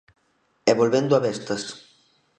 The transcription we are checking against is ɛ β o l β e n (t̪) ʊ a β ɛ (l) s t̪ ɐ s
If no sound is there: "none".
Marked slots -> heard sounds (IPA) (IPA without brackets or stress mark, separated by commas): d̪, none